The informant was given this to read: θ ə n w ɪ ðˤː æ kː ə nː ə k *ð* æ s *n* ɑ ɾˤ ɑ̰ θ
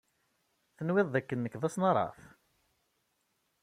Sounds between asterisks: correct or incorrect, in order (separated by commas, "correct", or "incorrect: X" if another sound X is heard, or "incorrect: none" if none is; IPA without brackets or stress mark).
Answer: correct, correct